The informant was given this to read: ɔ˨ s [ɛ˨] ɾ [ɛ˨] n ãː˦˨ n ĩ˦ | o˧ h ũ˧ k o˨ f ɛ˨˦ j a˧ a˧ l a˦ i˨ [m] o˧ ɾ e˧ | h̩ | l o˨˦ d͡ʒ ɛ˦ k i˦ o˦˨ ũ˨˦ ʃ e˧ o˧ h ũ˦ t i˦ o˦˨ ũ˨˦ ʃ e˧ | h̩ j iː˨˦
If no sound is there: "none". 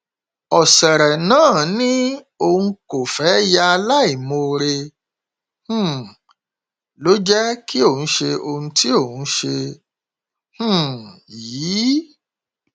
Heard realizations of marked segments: ɛ˨, ɛ˨, m

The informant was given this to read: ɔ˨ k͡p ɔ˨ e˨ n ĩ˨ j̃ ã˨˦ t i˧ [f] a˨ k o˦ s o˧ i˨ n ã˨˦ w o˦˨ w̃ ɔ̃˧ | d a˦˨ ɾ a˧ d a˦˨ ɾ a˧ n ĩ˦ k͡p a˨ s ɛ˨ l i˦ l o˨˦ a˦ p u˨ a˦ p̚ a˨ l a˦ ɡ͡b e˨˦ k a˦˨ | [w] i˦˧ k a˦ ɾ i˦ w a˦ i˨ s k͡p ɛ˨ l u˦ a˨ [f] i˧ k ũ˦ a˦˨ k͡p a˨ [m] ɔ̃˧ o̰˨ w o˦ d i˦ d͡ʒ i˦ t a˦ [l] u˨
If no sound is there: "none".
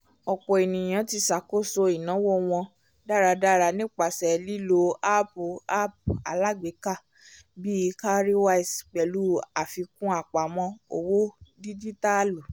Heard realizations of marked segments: s, b, f, m, l

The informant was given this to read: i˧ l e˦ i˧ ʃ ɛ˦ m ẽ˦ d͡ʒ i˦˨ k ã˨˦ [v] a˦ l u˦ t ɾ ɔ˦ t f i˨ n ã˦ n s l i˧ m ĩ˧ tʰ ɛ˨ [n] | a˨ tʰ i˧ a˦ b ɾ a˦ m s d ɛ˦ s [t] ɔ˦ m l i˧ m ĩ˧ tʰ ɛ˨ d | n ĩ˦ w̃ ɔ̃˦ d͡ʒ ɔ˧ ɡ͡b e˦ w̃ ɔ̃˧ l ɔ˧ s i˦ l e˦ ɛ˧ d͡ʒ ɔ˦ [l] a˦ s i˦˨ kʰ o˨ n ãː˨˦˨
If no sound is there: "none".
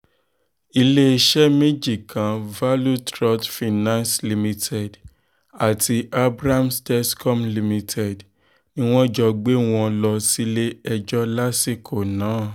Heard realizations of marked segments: v, d, k, l

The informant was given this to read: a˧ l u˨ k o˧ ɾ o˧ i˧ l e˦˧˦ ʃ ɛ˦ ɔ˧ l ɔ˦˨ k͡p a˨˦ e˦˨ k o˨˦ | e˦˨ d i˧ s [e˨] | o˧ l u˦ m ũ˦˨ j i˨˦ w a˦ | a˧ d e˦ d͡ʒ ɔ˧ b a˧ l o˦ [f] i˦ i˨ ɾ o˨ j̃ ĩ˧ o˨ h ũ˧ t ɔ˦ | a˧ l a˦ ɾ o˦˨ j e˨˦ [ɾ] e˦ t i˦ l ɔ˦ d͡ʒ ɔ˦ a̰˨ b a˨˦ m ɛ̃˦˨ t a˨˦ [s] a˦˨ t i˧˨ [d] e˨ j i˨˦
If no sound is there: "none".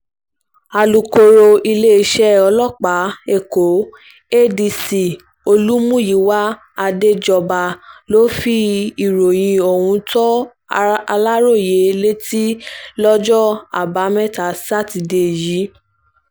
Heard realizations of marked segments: i˨, f, l, s, d

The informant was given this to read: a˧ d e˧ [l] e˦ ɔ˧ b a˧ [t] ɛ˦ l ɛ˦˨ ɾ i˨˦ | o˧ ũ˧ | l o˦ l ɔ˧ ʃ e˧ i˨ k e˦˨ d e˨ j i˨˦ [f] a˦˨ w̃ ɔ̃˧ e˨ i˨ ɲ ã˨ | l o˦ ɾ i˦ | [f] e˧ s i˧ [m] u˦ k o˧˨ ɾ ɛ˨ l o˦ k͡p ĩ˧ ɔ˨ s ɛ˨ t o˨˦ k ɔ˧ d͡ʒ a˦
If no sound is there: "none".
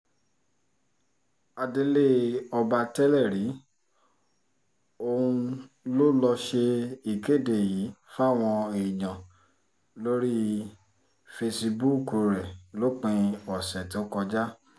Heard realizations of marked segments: l, t, f, f, b

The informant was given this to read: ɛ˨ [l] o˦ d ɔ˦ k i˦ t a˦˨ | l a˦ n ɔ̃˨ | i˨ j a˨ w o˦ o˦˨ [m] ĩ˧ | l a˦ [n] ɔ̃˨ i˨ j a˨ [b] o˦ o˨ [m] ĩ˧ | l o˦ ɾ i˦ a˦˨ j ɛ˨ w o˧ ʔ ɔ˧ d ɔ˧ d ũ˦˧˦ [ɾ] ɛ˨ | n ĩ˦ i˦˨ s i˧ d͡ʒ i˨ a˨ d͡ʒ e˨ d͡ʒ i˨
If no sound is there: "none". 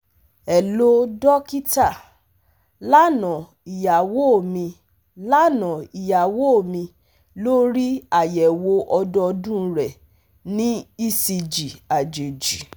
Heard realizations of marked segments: l, m, n, w, m, ɾ

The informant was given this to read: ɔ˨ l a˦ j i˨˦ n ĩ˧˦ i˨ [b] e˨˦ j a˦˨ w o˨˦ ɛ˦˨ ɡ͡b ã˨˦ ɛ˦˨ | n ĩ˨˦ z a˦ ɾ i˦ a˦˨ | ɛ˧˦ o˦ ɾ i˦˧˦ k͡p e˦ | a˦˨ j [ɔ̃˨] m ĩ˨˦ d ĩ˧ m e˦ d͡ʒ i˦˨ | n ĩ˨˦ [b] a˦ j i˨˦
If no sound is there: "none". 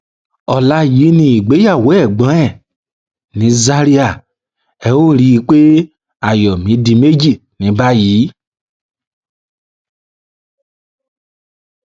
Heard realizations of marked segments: ɡ͡b, ɔ˨, b

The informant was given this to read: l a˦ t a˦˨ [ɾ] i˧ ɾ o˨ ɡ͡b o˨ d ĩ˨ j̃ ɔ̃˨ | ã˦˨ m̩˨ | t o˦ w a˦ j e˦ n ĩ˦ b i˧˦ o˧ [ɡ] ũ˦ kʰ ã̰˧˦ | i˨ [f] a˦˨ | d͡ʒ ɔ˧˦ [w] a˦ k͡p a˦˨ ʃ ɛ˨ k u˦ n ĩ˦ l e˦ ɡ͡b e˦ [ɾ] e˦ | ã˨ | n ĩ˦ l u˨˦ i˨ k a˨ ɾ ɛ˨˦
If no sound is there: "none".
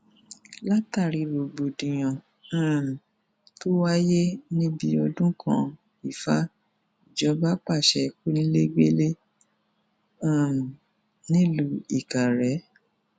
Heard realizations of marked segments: ɾ, d, f, b, l

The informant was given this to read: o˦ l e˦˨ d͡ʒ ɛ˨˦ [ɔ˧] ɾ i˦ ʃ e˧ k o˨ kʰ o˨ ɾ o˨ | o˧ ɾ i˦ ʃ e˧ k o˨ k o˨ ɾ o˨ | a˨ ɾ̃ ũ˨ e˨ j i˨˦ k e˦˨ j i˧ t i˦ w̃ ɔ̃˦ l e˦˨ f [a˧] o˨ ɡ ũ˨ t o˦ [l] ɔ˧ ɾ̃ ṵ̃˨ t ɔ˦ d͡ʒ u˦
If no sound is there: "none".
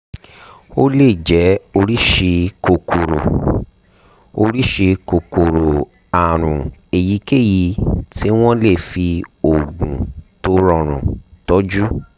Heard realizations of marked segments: o˧, i˧, ɾ

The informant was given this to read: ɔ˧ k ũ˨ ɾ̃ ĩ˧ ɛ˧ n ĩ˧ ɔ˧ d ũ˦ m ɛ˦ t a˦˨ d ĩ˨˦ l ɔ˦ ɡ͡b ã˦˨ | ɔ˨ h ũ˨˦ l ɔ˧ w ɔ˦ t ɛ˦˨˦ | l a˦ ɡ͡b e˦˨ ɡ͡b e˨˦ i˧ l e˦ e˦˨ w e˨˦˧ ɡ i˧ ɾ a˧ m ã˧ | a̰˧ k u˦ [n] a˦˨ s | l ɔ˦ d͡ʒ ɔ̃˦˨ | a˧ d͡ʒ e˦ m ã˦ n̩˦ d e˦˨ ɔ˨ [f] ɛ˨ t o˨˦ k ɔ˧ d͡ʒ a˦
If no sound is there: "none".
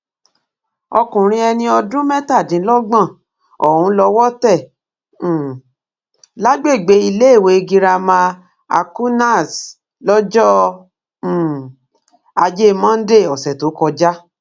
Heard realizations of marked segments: n, s

